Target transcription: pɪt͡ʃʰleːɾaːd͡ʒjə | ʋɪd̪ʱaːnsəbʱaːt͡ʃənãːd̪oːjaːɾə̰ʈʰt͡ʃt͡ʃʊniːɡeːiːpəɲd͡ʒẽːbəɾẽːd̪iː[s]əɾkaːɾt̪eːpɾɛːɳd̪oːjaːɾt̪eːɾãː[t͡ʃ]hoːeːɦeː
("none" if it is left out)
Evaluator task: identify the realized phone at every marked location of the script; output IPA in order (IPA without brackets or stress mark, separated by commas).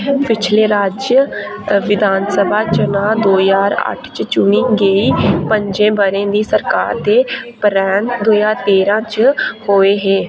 s, t͡ʃ